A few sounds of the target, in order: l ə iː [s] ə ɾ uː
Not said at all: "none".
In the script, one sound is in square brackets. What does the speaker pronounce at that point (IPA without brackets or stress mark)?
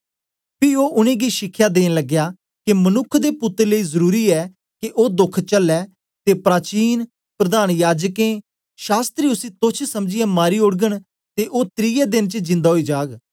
z